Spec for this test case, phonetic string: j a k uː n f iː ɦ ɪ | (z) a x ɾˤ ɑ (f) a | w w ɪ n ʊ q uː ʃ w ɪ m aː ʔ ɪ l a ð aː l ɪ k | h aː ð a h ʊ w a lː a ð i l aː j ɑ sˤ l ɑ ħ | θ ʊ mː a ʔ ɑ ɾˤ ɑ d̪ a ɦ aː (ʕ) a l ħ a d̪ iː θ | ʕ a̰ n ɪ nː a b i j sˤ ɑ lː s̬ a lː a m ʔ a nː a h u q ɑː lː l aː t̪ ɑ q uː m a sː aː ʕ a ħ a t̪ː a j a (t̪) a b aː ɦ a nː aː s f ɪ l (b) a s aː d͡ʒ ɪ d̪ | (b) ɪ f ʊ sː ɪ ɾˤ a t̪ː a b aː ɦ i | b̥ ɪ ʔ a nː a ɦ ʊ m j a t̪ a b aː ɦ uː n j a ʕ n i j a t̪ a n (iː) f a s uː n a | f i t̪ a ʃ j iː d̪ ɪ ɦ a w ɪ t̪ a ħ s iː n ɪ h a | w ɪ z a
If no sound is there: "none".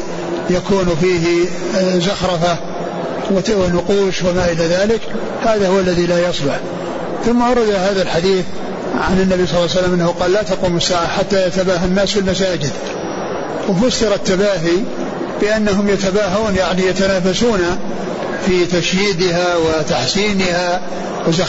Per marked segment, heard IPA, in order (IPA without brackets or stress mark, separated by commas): z, f, ð, t̪, m, w, aː